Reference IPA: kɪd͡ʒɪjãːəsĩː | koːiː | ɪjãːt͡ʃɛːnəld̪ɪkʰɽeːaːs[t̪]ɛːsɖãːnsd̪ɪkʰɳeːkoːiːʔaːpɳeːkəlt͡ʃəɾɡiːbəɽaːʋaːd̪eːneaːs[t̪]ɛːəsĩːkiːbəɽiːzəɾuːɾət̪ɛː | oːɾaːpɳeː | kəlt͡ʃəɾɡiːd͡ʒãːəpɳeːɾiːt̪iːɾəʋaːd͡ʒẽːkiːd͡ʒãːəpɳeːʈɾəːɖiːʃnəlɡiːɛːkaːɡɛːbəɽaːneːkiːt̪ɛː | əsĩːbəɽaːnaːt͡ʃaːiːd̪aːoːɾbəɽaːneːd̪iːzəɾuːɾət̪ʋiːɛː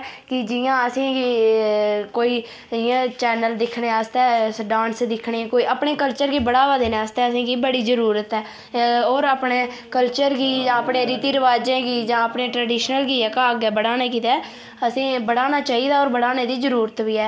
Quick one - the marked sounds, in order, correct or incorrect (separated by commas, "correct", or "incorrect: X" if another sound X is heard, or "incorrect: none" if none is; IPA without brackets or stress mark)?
correct, correct